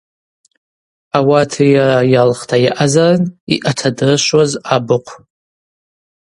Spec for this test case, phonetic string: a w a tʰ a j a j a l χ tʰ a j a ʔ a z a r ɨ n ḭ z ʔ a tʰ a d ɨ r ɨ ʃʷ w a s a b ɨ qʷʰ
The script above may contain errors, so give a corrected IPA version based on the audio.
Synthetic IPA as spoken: a w a tʰ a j a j a l χ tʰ a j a ʔ a z a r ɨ n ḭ ʔ a tʰ a d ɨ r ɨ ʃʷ w a z a b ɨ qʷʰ